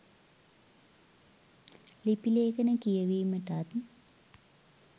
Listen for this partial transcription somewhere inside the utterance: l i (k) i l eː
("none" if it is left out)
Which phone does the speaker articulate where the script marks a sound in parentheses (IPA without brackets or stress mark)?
p